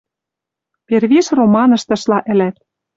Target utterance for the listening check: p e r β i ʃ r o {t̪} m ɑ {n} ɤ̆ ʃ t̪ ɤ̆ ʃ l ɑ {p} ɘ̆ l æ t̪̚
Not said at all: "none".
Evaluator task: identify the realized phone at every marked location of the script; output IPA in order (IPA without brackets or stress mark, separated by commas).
none, n, ʔ